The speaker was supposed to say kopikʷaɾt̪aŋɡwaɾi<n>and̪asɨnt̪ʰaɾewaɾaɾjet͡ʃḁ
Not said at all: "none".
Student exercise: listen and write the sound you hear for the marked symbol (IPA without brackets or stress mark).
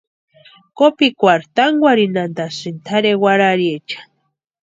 n